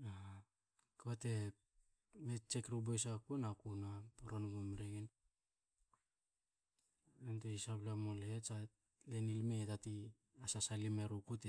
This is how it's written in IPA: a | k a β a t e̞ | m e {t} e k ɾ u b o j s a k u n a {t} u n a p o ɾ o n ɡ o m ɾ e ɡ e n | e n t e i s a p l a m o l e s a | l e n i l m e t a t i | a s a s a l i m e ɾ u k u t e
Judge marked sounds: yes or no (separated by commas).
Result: no, no